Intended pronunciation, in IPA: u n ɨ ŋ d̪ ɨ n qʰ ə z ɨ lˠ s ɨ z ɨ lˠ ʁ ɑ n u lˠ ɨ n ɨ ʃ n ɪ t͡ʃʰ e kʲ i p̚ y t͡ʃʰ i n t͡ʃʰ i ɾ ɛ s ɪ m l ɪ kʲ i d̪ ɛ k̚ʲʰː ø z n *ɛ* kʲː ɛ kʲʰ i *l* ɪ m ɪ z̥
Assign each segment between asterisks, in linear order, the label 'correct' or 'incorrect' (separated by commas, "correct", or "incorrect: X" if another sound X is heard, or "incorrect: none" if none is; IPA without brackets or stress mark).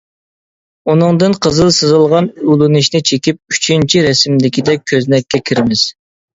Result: correct, incorrect: ɾ